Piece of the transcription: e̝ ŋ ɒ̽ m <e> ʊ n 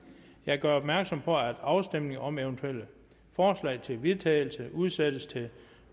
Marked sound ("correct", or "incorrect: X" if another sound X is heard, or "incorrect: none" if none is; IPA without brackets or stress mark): correct